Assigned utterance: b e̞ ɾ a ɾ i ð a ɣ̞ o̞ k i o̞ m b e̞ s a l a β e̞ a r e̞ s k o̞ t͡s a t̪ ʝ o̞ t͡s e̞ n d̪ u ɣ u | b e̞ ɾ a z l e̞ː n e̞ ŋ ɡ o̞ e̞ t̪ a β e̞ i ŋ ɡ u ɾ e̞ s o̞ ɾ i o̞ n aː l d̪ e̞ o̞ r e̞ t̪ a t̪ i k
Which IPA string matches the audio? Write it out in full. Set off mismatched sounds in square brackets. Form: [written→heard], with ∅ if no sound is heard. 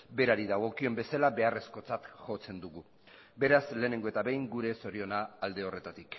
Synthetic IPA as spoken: b e̞ ɾ a ɾ i ð a ɣ̞ o̞ k i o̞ m b e̞ s a l a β e̞ a r e̞ s k o̞ t͡s a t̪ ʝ o̞ t͡s e̞ n d̪ u ɣ u | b e̞ ɾ a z l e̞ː n e̞ ŋ ɡ o̞ e̞ t̪ a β e̞ [i→j] ŋ ɡ u ɾ e̞ s o̞ ɾ i o̞ n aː l d̪ e̞ o̞ r e̞ t̪ a t̪ i k

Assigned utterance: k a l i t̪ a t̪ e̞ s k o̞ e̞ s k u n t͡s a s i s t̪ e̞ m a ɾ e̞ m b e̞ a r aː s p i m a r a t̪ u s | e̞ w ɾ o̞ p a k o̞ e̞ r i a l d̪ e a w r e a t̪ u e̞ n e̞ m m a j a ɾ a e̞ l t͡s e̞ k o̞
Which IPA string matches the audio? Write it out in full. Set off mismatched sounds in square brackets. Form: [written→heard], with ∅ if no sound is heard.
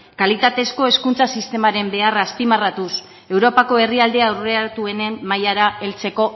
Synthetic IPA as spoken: k a l i t̪ a t̪ e̞ s k o̞ e̞ s k u n t͡s a s i s t̪ e̞ m a ɾ e̞ m b e̞ a r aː s p i m a r a t̪ u s | e̞ w ɾ o̞ p a k o̞ e̞ r i a l d̪ e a w r e a t̪ u e̞ n e̞ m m a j a ɾ a e̞ l t͡s e̞ k o̞

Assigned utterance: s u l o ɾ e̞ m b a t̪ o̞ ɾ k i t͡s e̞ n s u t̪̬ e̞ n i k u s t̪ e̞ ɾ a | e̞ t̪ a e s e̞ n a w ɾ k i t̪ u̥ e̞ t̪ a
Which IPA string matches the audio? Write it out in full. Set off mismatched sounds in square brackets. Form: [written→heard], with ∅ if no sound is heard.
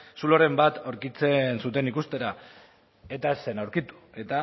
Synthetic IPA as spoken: s u l o ɾ e̞ m b a t̪ o̞ ɾ k i t͡s e̞ n s u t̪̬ e̞ n i k u s t̪ e̞ ɾ a | e̞ t̪ a e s e̞ n a w ɾ k i t̪ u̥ e̞ t̪ a

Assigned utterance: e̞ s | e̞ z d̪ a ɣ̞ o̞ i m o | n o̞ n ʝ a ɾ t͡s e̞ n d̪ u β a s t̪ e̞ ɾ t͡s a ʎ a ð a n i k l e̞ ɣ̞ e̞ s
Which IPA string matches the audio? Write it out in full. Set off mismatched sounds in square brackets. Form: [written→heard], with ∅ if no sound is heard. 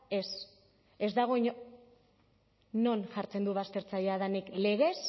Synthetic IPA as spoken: e̞ s | e̞ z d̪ a ɣ̞ o̞ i [m→ɲ] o | n o̞ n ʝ a ɾ t͡s e̞ n d̪ u β a s t̪ e̞ ɾ t͡s a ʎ a ð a n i k l e̞ ɣ̞ e̞ s

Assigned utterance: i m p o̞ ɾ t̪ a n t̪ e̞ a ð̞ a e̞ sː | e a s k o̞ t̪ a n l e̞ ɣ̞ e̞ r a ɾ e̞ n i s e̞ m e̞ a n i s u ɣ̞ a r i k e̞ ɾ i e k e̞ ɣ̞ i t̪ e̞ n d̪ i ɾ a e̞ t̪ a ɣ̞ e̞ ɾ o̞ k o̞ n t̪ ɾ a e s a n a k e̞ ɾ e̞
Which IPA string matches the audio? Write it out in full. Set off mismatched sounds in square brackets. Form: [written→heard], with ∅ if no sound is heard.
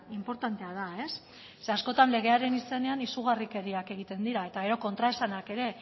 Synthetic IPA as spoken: i m p o̞ ɾ t̪ a n t̪ e̞ a ð̞ a e̞ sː | e a s k o̞ t̪ a n l e̞ ɣ̞ e̞ [r→∅] a ɾ e̞ n i s e̞ [m→n] e̞ a n i s u ɣ̞ a r i k e̞ ɾ i [e→a] k e̞ ɣ̞ i t̪ e̞ n d̪ i ɾ a e̞ t̪ a ɣ̞ e̞ ɾ o̞ k o̞ n t̪ ɾ a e s a n a k e̞ ɾ e̞

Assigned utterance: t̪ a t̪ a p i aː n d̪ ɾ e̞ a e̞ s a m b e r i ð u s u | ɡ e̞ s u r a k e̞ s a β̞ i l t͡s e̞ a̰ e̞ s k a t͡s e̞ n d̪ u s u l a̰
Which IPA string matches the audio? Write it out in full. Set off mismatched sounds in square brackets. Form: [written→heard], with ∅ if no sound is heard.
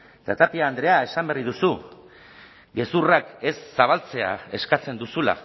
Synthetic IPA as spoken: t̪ a t̪ a p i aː n d̪ ɾ e̞ a e̞ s a m b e r i ð u s u | ɡ e̞ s u r a k e̞ [s→sː] a β̞ [i→a] l t͡s e̞ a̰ e̞ s k a t͡s e̞ n d̪ u s u l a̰

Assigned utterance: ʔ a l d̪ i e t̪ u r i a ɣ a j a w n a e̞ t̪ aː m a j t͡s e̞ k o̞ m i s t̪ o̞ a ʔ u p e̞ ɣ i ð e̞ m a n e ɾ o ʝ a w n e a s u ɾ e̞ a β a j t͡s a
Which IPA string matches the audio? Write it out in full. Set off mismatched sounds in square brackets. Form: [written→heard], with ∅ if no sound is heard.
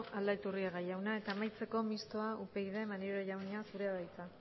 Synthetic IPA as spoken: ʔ a l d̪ [i→a] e t̪ u r i a ɣ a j a w n a e̞ t̪ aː m a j t͡s e̞ k o̞ m i s t̪ o̞ a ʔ u p e̞ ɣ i ð e̞ m a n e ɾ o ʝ a w n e a s u ɾ e̞ a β a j t͡s a

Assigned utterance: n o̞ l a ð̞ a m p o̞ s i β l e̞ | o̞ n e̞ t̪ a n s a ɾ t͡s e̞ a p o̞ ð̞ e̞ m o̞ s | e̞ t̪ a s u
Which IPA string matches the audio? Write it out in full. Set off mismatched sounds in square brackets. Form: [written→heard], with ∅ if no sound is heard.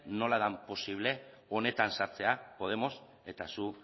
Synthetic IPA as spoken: n o̞ l a ð̞ a m p o̞ s i β l e̞ | o̞ n e̞ t̪ a n s a ɾ t͡s e̞ a p o̞ ð̞ e̞ m o̞ s | e̞ t̪ a s u

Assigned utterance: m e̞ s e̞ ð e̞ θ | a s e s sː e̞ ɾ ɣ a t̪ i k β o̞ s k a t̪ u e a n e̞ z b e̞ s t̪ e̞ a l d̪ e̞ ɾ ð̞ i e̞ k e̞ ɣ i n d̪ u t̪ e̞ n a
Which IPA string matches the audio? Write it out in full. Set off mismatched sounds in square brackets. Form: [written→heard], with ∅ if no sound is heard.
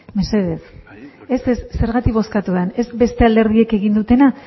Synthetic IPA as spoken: m e̞ s e̞ ð e̞ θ | [a→e] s e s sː e̞ ɾ ɣ a t̪ i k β o̞ s k a t̪ u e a n e̞ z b e̞ s t̪ e̞ a l d̪ e̞ ɾ ð̞ i e̞ k e̞ ɣ i n d̪ u t̪ e̞ n a

